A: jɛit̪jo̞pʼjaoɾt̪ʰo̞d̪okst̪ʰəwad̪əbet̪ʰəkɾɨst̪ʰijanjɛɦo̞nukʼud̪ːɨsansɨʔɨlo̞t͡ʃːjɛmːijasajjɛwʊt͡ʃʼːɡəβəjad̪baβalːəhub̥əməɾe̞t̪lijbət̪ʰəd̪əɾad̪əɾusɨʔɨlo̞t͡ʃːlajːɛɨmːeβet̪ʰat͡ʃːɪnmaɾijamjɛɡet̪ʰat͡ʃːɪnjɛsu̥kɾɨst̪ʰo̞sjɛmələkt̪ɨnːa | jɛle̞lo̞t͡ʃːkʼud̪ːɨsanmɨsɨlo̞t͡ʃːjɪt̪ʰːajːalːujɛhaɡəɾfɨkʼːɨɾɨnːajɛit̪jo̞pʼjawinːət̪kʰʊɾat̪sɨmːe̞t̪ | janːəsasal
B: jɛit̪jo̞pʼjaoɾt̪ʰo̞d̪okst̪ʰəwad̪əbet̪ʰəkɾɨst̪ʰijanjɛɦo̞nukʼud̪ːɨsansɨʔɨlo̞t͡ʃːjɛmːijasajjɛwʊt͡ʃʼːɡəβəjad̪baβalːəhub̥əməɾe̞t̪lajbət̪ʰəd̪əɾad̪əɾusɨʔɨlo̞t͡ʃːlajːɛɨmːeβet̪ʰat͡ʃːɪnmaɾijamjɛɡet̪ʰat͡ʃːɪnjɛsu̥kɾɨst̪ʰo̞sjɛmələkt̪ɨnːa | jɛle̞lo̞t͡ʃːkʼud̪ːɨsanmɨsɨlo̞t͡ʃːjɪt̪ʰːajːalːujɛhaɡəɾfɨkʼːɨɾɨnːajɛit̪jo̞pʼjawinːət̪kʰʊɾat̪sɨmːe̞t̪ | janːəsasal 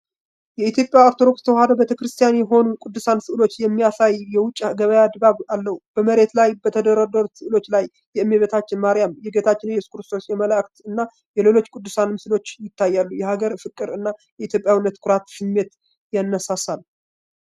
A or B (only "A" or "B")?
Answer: B